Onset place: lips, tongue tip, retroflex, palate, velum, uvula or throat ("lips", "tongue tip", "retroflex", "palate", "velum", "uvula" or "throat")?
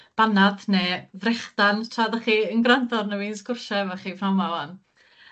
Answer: lips